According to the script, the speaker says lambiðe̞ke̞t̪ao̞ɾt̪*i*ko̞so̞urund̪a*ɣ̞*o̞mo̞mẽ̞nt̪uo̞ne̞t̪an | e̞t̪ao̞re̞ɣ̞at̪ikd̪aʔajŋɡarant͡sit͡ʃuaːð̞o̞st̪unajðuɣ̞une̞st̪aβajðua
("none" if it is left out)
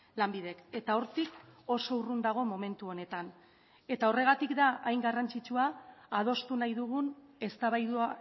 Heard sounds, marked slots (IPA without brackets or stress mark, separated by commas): i, ɣ̞